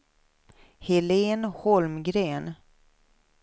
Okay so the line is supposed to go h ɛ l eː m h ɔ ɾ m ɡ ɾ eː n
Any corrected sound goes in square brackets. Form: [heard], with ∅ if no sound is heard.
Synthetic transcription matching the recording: h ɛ l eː [n] h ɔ [l] m ɡ ɾ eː n